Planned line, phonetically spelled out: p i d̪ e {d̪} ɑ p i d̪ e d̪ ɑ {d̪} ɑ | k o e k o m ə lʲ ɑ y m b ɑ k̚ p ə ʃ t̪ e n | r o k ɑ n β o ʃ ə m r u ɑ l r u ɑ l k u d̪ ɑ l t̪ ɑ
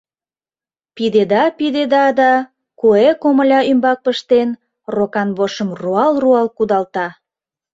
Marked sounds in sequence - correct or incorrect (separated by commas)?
correct, correct